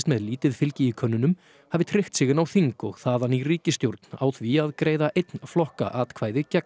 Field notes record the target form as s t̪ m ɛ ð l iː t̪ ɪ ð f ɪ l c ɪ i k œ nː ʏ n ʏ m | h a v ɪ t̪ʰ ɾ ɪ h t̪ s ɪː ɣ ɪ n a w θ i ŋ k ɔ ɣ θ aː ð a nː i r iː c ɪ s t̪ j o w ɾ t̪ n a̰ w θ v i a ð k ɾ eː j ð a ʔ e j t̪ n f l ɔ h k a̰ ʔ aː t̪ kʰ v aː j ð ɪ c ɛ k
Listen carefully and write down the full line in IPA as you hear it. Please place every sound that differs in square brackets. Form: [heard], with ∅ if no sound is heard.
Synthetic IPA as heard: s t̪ m ɛ ð l iː t̪ ɪ ð f ɪ l c ɪ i [kʰ] œ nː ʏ n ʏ m | h a v ɪ t̪ʰ ɾ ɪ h t̪ s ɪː ɣ ɪ n a w θ i ŋ k ɔ ɣ θ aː ð a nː i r iː c ɪ s t̪ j o w ɾ t̪ n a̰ w θ v i a ð k ɾ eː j ð a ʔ e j t̪ n f l ɔ h k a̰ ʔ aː t̪ kʰ v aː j ð ɪ c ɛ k